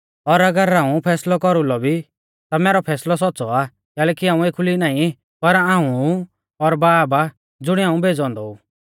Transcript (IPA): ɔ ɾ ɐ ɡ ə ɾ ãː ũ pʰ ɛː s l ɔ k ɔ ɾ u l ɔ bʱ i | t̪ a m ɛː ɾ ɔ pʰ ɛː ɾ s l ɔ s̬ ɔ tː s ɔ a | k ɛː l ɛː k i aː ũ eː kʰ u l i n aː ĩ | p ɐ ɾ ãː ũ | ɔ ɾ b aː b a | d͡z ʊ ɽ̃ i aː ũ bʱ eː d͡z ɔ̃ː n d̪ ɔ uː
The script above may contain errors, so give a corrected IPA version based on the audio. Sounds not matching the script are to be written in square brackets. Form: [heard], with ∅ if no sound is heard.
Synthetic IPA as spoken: ɔ ɾ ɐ ɡ ə ɾ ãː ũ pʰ ɛː s l ɔ k ɔ ɾ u l ɔ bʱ i | t̪ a m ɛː ɾ ɔ pʰ ɛː [∅] s l ɔ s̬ ɔ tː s ɔ a | k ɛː l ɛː k i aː ũ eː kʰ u l i n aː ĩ | p ɐ ɾ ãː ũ | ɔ ɾ b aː b a | d͡z ʊ ɽ̃ i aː ũ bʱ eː d͡z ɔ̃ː n d̪ ɔ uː